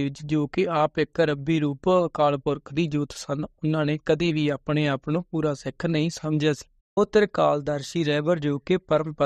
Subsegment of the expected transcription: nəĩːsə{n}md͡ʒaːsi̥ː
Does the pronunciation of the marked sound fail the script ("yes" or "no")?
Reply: yes